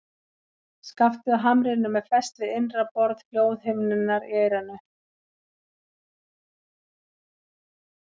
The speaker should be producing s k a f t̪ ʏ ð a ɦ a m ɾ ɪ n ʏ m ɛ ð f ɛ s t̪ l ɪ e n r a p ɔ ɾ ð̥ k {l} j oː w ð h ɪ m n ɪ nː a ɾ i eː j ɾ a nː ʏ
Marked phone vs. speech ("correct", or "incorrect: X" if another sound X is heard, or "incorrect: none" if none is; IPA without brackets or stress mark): correct